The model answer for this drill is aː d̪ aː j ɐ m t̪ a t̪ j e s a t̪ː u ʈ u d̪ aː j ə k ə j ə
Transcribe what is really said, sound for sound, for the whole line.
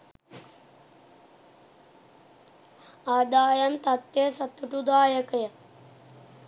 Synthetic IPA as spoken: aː d̪ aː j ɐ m t̪ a t̪ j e s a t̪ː u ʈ u d̪ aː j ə k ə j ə